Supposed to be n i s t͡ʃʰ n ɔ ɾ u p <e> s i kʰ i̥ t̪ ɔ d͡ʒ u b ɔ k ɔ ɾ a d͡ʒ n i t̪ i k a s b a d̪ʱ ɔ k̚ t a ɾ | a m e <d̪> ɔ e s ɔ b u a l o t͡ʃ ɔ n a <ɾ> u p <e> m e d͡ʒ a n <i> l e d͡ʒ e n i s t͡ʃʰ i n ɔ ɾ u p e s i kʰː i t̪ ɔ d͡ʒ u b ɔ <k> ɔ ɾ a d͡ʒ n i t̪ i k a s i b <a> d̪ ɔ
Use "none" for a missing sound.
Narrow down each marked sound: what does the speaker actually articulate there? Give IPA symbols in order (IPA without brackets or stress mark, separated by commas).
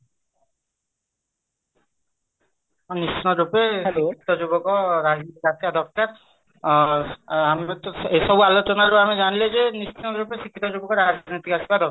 e, t̪, ɾ, a, i, k, a